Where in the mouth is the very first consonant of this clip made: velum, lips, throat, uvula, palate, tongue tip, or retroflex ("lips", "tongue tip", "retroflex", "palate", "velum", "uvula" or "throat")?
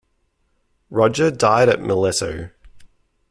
tongue tip